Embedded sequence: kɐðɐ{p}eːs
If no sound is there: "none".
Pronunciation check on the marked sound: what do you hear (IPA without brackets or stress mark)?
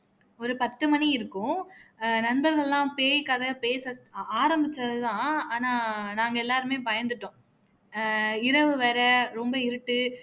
p